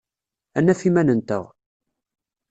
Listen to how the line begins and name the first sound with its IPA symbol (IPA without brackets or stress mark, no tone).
æ